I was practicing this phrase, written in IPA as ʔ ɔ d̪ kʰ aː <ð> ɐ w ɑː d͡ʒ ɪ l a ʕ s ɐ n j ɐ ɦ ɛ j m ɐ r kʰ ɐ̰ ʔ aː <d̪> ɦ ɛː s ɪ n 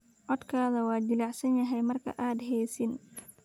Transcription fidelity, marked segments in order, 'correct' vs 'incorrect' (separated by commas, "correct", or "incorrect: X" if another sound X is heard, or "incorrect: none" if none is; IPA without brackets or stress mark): correct, correct